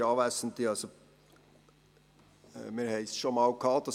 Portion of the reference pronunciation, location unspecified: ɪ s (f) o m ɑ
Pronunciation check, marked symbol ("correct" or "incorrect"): incorrect